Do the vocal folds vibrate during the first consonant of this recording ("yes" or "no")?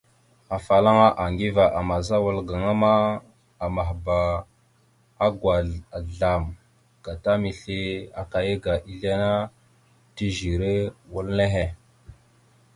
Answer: no